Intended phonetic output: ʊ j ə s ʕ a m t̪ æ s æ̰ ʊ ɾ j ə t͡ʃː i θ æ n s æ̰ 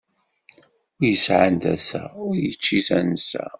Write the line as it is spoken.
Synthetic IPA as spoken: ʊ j ə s ʕ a n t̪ æ s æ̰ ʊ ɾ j ə t͡ʃː i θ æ n s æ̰